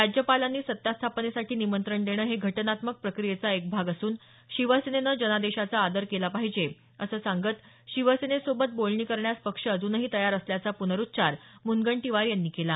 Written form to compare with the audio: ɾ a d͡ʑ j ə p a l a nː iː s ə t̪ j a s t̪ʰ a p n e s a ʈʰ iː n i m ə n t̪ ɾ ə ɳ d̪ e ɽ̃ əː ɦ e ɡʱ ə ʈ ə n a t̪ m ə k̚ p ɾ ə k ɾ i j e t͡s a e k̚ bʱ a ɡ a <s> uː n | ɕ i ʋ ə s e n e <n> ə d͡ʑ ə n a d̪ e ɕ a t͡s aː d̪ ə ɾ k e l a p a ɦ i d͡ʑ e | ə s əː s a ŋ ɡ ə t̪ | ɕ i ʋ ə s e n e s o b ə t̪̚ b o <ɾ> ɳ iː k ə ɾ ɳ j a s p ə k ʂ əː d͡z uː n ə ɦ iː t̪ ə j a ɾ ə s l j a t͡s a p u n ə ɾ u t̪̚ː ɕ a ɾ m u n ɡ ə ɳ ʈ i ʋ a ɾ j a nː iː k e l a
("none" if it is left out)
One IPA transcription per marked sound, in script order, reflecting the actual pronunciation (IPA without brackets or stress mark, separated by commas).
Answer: s, n, l